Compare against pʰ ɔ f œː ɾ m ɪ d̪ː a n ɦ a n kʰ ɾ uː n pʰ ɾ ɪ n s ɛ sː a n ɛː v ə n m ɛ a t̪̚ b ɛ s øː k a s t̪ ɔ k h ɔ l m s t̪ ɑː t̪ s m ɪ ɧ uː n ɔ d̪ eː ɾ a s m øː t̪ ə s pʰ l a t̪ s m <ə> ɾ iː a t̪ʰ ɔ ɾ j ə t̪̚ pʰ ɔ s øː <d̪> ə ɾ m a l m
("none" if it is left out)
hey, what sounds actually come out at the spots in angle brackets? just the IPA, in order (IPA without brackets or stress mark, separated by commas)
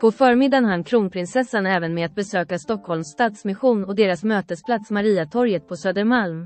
a, d̪